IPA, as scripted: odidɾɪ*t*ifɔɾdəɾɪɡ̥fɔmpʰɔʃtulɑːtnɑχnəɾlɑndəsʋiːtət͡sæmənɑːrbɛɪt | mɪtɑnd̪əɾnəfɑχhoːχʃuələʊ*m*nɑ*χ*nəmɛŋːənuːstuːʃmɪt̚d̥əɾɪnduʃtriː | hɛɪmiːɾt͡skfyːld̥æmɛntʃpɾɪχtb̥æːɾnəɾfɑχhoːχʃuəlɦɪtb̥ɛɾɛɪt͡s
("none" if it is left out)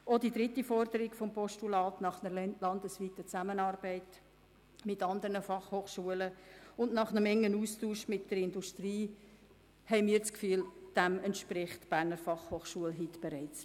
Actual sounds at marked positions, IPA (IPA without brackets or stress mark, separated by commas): t, n, χ